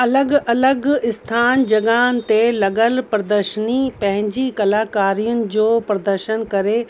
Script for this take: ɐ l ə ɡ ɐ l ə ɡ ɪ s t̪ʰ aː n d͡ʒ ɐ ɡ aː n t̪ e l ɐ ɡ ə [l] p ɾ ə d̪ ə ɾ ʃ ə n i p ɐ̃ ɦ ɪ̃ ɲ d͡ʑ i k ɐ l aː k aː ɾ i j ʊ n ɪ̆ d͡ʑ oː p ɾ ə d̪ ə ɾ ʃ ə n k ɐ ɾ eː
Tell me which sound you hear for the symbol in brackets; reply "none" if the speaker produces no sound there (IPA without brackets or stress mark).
l